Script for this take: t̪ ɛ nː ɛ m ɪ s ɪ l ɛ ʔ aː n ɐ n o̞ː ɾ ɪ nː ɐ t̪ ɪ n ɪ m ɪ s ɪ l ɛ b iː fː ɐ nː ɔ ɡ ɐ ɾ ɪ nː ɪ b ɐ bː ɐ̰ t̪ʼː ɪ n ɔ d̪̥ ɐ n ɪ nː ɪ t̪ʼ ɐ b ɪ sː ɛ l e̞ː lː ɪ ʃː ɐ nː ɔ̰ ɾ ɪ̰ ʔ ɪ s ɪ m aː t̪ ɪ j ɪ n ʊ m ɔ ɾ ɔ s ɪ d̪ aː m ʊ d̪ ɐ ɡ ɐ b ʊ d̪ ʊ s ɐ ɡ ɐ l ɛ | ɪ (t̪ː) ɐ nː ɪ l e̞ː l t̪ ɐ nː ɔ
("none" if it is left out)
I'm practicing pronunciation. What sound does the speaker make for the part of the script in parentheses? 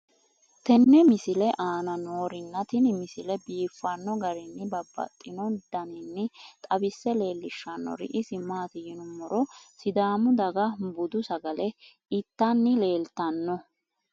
t̪ː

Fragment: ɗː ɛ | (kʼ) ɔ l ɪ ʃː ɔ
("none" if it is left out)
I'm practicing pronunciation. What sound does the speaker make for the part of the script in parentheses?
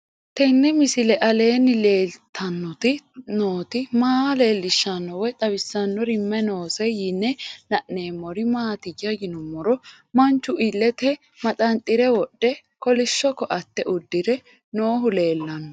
k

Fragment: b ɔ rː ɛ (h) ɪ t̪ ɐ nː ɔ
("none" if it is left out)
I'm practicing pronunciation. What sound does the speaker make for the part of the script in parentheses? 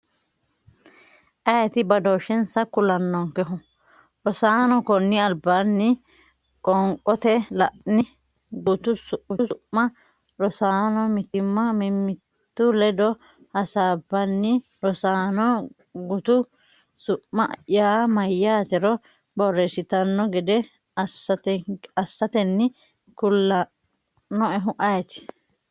s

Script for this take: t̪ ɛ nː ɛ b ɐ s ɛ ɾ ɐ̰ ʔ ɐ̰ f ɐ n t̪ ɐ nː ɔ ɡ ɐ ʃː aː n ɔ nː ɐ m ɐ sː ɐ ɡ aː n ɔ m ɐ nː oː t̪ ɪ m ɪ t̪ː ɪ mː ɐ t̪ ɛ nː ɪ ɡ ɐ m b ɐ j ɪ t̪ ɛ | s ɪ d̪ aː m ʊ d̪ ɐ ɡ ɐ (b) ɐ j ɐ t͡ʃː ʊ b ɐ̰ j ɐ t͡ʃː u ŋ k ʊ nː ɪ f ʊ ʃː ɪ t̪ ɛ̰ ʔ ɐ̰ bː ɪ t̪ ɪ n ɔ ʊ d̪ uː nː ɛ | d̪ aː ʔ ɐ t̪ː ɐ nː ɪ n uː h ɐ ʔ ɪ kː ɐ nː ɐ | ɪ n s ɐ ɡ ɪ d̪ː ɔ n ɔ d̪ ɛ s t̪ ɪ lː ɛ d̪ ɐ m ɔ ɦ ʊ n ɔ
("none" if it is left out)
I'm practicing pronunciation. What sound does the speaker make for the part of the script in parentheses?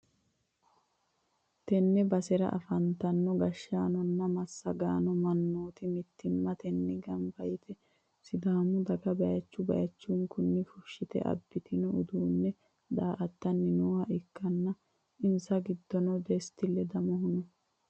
b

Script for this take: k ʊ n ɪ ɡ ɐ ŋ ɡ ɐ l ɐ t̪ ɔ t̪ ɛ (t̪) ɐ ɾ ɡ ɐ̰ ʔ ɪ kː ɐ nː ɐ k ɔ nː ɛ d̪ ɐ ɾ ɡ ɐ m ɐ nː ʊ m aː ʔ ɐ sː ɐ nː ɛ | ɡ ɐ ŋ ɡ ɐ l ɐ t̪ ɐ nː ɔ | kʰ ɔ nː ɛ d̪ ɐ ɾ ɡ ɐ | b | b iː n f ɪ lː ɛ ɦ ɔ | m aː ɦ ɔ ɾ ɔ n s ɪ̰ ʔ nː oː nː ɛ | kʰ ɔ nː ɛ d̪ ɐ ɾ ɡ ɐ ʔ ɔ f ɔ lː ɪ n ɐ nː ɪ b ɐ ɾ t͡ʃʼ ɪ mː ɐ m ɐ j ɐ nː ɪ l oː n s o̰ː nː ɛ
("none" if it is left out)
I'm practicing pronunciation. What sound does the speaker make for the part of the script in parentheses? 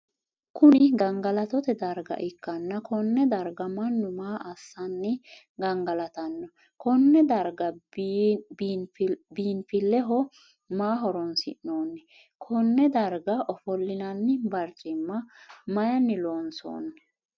d̪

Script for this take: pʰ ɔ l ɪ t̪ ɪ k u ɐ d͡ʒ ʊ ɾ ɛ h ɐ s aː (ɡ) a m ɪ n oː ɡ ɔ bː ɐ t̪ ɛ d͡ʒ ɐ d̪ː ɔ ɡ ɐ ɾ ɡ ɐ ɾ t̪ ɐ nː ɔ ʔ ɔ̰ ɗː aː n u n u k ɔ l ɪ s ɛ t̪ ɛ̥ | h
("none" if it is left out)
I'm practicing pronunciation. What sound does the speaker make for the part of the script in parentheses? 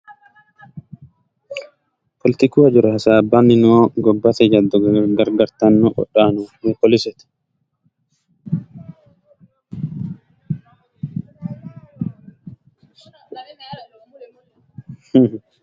b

